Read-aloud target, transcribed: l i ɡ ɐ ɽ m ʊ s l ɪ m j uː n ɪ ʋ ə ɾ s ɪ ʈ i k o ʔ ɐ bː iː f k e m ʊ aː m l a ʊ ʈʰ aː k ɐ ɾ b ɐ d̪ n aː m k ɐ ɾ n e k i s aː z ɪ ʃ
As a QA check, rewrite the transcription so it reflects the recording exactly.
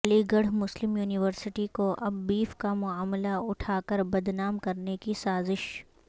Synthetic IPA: l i ɡ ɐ ɽ m ʊ s l ɪ m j uː n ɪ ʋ ə ɾ s ɪ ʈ i k o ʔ ɐ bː iː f k a m ʊ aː m l a ʊ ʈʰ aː k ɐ ɾ b ɐ d̪ n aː m k ɐ ɾ n e k i s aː z ɪ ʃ